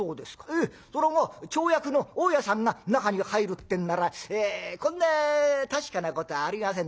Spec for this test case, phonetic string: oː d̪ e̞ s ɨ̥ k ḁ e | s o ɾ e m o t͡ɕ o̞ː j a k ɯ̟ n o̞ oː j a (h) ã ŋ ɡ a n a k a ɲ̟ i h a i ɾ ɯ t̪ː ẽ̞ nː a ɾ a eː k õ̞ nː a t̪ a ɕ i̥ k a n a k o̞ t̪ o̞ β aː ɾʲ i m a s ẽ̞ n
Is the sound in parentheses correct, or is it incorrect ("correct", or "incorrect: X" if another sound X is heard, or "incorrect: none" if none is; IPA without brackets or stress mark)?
incorrect: s